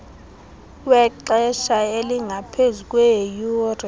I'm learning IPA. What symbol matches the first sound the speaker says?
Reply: w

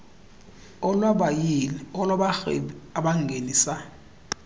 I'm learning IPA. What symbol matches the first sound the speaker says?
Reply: ɔ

